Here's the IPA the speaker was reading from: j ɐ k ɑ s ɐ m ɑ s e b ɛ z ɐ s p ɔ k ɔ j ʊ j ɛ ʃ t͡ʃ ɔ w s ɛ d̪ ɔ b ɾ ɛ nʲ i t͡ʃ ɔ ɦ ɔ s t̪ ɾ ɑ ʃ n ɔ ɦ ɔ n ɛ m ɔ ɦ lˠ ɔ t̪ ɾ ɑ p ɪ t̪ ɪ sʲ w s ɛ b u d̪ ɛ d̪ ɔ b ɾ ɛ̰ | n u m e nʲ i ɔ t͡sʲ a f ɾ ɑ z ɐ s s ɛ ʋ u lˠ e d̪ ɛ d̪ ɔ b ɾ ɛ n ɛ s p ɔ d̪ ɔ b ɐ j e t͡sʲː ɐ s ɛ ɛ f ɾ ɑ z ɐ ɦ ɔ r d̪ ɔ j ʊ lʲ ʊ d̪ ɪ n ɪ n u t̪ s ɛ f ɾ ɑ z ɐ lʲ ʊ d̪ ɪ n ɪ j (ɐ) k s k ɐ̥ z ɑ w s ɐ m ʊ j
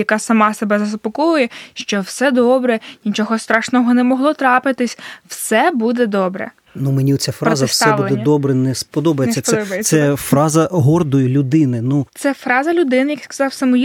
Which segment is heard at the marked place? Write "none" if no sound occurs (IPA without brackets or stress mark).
ɐ